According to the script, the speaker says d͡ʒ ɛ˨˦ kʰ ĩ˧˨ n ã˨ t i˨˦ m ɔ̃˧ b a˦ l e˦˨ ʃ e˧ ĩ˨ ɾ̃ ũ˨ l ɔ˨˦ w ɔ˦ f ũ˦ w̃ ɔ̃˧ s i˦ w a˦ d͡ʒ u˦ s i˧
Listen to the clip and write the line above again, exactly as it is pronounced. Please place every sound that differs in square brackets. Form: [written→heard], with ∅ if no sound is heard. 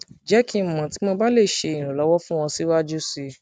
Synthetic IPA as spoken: d͡ʒ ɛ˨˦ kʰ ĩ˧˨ [n→m] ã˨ t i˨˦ m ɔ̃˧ b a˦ l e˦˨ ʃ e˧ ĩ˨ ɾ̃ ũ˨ l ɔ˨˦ w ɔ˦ f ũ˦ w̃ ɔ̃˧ s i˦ w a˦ d͡ʒ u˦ s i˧

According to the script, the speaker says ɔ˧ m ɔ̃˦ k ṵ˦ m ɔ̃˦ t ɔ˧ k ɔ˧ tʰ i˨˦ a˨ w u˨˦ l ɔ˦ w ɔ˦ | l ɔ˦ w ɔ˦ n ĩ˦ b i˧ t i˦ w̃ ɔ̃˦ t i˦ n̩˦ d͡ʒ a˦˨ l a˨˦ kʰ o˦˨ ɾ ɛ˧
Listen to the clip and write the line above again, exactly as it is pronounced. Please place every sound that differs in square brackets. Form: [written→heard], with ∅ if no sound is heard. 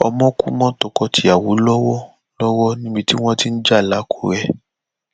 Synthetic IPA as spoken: ɔ˧ m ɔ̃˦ k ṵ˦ m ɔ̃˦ t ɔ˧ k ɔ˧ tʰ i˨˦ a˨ w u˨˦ l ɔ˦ w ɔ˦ | l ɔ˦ w ɔ˦ n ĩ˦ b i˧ t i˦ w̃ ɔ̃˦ t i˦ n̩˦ d͡ʒ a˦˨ l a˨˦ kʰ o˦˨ ɾ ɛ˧

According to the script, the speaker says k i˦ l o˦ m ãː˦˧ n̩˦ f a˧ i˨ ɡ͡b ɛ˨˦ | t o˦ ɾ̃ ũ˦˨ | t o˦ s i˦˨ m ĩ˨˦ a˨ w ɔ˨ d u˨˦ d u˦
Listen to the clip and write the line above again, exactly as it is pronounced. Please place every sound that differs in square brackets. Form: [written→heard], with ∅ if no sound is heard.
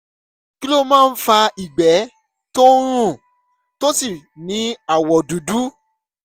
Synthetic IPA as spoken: k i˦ l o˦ m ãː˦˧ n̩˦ f a˧ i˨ ɡ͡b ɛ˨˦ | t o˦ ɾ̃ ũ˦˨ | t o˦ s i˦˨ [m→n] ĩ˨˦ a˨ w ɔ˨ d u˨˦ d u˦

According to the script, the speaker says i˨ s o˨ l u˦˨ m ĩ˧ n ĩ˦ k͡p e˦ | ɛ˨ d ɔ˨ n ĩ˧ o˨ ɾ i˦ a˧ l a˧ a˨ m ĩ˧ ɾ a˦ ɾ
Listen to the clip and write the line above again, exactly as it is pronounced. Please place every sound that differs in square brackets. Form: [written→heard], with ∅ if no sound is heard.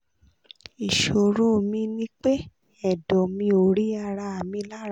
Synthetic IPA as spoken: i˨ [s→ʃ] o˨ [l→ɾ] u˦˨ m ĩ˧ n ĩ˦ k͡p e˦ | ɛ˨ d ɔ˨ [n→m] ĩ˧ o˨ ɾ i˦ a˧ [l→ɾ] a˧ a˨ m ĩ˧ [ɾ→l] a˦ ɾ

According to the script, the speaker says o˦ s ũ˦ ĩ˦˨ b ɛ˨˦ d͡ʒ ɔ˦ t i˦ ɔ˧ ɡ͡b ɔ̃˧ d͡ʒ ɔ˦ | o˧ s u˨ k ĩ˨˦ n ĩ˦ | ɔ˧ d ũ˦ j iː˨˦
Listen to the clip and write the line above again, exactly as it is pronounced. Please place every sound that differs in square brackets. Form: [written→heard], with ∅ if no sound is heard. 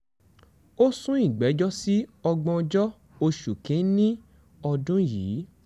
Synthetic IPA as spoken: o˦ s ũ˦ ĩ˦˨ [b→ɡ͡b] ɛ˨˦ d͡ʒ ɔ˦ [t→s] i˦ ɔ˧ ɡ͡b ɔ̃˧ d͡ʒ ɔ˦ | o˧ [s→ʃ] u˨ k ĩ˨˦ n ĩ˦ | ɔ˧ d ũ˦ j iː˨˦

